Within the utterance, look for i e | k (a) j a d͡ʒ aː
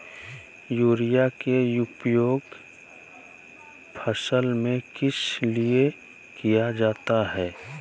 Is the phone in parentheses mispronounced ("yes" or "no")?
yes